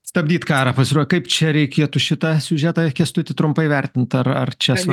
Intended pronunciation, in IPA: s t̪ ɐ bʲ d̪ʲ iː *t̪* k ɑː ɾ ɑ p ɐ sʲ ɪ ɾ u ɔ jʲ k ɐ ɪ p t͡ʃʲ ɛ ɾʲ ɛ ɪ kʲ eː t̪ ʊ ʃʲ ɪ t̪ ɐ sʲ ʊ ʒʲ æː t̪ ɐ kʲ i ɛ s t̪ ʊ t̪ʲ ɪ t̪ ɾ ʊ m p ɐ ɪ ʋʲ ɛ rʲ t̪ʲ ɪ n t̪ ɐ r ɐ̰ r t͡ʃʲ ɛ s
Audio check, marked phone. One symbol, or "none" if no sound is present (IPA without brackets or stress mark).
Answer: t̪